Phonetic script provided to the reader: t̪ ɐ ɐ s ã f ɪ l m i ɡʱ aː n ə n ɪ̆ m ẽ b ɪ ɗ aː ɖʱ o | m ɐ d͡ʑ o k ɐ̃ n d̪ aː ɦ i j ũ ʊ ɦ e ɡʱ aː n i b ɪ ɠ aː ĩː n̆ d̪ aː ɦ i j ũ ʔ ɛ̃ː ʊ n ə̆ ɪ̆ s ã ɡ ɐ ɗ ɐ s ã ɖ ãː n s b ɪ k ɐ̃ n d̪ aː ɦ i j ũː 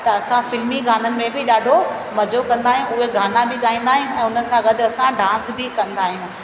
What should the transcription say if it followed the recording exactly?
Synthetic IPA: t̪ ɐ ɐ s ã f ɪ l m i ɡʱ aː n ə n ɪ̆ m ẽ b ɪ ɗ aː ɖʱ o | m ɐ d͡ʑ o k ɐ̃ n d̪ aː ɦ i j ũ ʊ ɦ e ɡʱ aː n a b ɪ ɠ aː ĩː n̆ d̪ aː ɦ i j ũ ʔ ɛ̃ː ʊ n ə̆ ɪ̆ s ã ɡ ɐ ɗ ɐ s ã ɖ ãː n s b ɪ k ɐ̃ n d̪ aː ɦ i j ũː